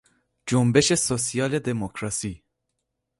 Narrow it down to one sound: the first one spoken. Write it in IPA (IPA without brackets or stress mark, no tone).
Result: d͡ʒ